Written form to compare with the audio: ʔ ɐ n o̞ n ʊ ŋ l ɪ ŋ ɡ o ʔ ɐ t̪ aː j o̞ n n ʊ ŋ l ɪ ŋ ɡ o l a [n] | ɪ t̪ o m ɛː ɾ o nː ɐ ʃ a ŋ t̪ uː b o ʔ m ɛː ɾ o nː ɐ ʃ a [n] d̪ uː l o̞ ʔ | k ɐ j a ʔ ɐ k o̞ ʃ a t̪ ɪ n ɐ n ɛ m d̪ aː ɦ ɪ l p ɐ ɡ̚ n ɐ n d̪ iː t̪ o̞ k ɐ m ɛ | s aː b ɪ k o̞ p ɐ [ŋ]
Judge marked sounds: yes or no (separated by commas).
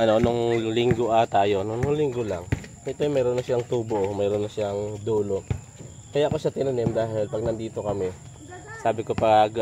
no, no, no